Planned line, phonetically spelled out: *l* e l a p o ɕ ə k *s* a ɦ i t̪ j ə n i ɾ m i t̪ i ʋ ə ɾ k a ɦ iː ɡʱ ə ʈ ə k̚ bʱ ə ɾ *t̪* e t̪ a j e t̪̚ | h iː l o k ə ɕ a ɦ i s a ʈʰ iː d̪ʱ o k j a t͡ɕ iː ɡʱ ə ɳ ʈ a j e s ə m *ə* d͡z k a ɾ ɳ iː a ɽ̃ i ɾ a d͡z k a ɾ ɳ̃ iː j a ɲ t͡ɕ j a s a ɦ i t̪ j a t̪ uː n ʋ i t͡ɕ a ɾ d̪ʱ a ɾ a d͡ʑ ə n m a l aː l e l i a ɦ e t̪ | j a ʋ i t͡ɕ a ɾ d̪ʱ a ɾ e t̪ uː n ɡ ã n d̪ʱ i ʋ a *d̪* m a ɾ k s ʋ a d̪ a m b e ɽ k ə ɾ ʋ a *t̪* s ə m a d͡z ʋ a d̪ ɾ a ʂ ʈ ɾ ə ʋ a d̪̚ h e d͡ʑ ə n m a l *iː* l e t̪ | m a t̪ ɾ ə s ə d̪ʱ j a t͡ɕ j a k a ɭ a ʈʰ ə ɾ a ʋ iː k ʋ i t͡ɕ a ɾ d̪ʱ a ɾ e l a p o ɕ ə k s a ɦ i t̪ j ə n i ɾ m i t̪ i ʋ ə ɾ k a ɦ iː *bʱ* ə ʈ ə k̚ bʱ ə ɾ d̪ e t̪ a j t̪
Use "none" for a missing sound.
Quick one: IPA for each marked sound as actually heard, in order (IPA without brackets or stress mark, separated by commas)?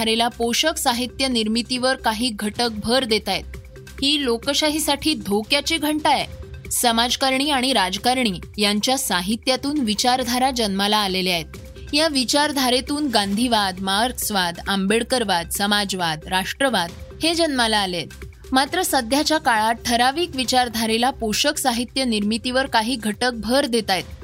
ɾ, s, d̪, a, d̪, d̪, aː, ɡʱ